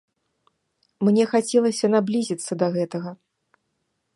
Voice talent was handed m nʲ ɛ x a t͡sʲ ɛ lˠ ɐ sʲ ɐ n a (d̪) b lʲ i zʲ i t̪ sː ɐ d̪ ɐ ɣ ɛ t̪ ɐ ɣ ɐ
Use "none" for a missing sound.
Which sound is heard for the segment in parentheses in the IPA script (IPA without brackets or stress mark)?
none